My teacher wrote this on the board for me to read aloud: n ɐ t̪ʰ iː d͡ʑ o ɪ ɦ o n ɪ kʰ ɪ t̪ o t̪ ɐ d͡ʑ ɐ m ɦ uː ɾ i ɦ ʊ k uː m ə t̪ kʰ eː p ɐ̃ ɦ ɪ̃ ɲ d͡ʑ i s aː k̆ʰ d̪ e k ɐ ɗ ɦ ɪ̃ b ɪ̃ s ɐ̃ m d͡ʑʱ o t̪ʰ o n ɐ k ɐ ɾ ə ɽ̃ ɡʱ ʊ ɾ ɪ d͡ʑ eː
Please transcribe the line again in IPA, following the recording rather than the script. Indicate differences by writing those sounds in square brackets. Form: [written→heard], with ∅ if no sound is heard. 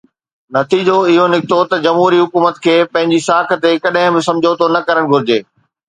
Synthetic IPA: n ɐ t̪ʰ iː d͡ʑ o ɪ ɦ o n ɪ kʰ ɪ t̪ o t̪ ɐ d͡ʑ ɐ m ɦ uː ɾ i ɦ ʊ k uː m ə t̪ kʰ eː p ɐ̃ ɦ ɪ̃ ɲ d͡ʑ i s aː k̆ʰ [d̪→t̪] e k ɐ ɗ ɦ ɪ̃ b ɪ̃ s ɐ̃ m d͡ʑʱ o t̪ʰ o n ɐ k ɐ ɾ ə ɽ̃ ɡʱ ʊ ɾ ɪ d͡ʑ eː